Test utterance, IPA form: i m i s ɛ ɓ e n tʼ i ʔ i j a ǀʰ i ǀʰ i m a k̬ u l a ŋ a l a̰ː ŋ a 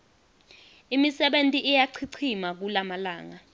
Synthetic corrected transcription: i m i s ɛ ɓ e n tʼ i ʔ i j a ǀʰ i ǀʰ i m a k̬ u l a m a l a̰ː ŋ a